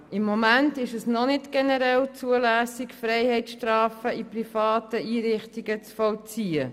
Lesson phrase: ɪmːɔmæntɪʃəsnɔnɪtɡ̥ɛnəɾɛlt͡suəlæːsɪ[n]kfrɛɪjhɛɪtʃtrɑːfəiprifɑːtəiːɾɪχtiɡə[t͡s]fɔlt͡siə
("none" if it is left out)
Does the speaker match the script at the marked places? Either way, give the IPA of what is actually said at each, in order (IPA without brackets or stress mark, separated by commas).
none, t͡s